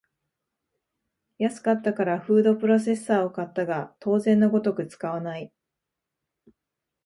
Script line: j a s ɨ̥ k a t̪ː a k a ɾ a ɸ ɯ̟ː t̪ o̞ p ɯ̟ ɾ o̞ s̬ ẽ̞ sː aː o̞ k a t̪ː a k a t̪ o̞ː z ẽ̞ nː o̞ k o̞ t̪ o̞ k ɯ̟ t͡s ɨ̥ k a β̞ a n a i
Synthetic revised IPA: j a s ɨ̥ k a t̪ː a k a ɾ a ɸ ɯ̟ː d̪ o̞ p ɯ̟ ɾ o̞ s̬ e̞ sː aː o̞ k a t̪ː a ɡ a t̪ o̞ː z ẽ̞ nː o̞ ɡ o̞ t̪ o̞ k ɯ̟ t͡s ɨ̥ k a β̞ a n a i